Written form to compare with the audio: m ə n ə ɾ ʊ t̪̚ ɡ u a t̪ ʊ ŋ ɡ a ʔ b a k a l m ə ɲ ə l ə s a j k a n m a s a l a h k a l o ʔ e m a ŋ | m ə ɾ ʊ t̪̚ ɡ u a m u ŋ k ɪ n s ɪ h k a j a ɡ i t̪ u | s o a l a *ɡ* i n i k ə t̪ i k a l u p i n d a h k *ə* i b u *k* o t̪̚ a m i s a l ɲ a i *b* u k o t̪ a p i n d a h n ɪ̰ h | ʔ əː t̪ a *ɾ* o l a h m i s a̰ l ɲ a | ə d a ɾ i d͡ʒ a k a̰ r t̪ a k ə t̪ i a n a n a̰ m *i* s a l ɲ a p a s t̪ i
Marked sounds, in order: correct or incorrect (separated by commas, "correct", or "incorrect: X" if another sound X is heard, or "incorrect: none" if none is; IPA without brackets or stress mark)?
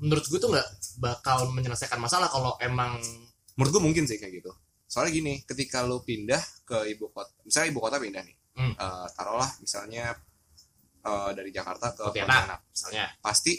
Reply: correct, correct, correct, correct, correct, correct